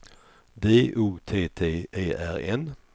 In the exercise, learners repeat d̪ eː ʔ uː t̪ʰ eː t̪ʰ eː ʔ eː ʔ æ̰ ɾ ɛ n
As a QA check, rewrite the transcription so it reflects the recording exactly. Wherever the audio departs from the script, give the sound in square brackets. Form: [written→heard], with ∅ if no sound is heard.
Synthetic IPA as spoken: d̪ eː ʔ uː t̪ʰ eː t̪ʰ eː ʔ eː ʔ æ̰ ɾ ɛ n

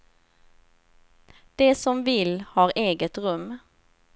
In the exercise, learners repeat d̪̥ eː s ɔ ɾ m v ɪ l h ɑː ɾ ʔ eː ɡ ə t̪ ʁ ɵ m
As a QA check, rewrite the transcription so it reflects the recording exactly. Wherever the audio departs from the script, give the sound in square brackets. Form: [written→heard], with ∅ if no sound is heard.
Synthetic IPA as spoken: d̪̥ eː s ɔ [ɾ→∅] m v ɪ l h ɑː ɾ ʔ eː ɡ ə t̪ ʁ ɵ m

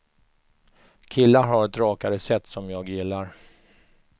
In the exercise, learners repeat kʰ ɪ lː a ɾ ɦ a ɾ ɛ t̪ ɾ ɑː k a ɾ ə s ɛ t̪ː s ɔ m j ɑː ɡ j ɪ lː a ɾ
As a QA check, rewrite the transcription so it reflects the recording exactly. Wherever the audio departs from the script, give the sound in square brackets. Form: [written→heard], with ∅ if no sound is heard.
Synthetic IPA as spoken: kʰ ɪ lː a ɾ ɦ a ɾ ɛ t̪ ɾ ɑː k a ɾ ə s ɛ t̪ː s ɔ m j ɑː ɡ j ɪ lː a ɾ

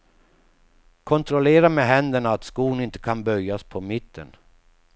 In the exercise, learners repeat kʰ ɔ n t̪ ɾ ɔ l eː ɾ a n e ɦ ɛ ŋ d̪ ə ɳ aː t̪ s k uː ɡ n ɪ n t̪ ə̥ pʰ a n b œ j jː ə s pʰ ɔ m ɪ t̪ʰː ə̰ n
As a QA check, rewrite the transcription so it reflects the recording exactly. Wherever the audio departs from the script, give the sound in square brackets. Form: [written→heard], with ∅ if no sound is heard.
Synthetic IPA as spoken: kʰ ɔ n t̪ ɾ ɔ l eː ɾ a [n→m] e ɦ ɛ [ŋ→n] d̪ ə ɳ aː t̪ s k uː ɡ n ɪ n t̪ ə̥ [pʰ→kʰ] a n b œ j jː [ə→a] s pʰ ɔ m ɪ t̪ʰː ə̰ n

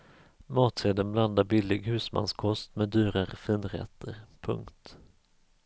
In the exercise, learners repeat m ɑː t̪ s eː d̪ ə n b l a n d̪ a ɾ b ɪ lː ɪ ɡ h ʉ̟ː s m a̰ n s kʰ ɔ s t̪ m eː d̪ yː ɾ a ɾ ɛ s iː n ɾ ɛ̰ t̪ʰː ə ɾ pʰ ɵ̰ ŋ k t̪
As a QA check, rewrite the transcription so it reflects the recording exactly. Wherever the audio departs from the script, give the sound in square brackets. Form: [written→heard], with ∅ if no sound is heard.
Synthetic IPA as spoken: m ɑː t̪ s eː d̪ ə n b l a n d̪ a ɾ b ɪ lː ɪ ɡ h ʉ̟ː s m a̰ n s kʰ ɔ s t̪ m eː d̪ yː ɾ a ɾ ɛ [s→f] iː n ɾ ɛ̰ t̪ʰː ə ɾ pʰ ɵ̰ ŋ k t̪

